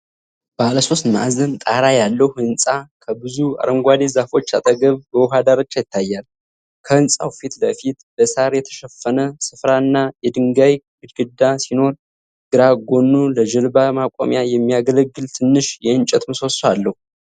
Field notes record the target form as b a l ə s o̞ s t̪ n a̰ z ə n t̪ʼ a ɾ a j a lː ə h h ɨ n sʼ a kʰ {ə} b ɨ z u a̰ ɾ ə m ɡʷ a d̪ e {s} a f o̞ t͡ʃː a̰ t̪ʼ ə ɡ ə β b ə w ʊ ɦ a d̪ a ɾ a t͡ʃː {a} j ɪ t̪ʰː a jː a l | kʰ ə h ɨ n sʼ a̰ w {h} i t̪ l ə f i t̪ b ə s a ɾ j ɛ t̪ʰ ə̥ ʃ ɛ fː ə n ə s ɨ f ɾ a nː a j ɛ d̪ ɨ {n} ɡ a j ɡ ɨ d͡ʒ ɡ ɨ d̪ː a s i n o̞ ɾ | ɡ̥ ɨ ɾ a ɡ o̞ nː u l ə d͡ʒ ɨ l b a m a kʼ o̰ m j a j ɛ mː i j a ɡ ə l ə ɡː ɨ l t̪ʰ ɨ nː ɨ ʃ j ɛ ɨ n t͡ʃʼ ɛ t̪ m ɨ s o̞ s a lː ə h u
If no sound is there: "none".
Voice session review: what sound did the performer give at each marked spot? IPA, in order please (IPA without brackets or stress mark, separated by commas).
ə, z, a, f, ŋ